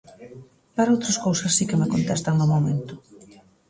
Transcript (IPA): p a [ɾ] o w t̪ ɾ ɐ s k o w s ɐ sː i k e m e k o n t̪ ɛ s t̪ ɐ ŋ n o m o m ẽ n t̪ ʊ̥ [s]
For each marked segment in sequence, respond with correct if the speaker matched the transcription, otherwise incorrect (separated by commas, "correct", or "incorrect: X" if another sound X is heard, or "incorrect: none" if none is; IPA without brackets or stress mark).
correct, incorrect: none